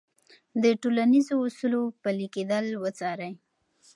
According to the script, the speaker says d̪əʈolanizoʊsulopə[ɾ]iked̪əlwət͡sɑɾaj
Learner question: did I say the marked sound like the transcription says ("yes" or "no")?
no